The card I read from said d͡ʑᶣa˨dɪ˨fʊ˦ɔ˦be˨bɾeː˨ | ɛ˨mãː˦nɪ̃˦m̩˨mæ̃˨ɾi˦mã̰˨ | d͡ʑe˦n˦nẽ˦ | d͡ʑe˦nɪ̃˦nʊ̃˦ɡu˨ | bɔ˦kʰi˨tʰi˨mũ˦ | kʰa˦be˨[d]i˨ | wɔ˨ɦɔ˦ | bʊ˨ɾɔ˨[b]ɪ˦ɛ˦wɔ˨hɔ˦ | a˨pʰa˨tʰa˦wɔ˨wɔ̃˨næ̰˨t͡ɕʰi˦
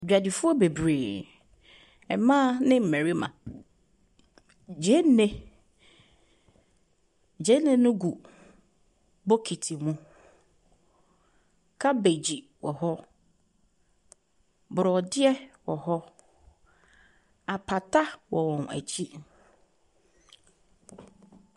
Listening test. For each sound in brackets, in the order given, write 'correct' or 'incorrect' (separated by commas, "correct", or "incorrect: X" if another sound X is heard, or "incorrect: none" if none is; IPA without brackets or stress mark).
incorrect: d͡ʑ, incorrect: d